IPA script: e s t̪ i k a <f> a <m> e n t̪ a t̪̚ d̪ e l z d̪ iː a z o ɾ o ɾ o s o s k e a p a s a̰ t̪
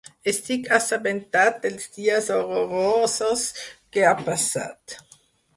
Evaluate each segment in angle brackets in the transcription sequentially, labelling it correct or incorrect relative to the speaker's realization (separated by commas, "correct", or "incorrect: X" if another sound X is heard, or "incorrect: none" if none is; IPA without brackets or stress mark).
incorrect: s, incorrect: b